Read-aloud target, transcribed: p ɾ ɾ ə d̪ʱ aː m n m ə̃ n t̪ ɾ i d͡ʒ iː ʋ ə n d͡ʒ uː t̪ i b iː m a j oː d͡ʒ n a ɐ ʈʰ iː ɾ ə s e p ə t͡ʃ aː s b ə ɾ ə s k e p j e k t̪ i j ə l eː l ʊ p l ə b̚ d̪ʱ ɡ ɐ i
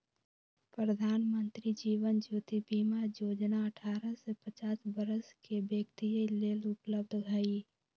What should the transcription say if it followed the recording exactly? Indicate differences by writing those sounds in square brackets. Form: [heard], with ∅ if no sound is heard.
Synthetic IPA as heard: p ɾ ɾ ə d̪ʱ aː [∅] n m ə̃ n t̪ ɾ i d͡ʒ iː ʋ ə n d͡ʒ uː t̪ i b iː m a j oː d͡ʒ n a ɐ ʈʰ [aː] ɾ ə s e p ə t͡ʃ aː s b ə ɾ ə s k e [b] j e k t̪ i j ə l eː l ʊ p l ə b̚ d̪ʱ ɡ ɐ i